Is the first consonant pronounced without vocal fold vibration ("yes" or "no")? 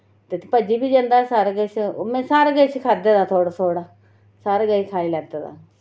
yes